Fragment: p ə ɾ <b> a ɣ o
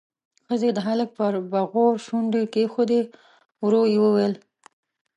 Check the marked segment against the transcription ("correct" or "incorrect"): correct